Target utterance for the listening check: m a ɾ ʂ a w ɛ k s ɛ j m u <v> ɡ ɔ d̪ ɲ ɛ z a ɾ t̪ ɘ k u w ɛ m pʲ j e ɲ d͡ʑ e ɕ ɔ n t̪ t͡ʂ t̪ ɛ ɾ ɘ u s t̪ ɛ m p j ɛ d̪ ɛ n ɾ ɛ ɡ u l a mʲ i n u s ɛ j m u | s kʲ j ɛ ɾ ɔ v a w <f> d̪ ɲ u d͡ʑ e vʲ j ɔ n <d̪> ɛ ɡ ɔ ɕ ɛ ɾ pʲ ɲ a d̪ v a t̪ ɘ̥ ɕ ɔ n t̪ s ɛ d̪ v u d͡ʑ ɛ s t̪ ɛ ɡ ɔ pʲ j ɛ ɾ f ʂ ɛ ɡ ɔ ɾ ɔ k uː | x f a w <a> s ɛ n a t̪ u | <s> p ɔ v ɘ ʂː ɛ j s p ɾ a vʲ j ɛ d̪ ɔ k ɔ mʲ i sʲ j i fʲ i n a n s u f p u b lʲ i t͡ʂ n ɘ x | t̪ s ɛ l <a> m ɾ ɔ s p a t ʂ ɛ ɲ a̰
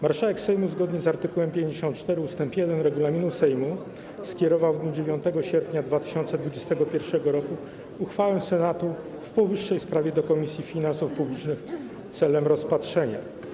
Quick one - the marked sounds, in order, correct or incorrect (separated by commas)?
incorrect, incorrect, incorrect, incorrect, incorrect, incorrect